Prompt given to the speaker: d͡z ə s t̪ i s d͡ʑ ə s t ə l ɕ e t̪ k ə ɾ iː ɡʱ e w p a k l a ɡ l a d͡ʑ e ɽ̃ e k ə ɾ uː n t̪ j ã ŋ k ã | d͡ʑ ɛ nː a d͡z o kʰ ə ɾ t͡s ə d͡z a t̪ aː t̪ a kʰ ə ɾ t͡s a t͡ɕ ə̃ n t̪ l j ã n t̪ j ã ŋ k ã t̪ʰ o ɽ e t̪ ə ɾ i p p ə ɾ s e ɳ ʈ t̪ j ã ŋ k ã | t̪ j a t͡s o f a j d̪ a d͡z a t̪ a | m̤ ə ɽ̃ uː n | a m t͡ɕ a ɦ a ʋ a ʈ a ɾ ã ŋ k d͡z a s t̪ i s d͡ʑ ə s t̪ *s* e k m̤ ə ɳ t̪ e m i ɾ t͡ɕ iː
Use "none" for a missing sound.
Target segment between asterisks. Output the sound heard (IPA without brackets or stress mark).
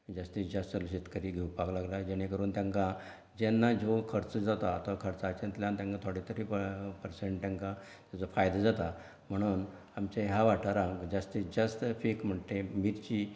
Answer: f